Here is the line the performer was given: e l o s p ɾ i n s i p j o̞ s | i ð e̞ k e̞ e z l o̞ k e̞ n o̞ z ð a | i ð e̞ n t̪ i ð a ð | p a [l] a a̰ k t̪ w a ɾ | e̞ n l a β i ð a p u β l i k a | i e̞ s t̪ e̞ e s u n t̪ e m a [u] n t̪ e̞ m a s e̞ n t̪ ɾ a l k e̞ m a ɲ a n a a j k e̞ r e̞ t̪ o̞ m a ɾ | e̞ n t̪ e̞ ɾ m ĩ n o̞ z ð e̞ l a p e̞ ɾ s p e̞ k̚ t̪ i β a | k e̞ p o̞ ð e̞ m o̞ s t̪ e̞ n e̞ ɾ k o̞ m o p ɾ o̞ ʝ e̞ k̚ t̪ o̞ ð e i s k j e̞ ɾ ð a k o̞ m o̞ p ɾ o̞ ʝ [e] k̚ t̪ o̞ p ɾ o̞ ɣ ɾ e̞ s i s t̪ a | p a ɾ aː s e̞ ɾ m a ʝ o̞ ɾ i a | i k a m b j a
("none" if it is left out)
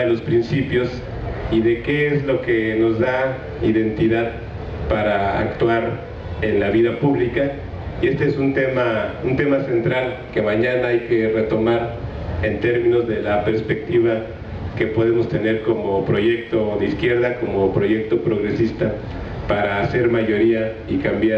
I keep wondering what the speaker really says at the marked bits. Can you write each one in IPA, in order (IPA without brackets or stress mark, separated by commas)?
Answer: ɾ, u, e